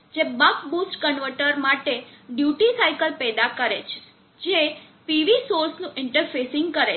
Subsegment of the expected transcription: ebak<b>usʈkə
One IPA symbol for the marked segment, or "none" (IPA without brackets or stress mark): b